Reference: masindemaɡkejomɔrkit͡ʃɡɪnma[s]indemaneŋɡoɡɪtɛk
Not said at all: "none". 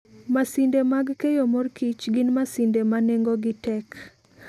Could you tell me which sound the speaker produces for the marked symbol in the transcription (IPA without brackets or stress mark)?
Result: s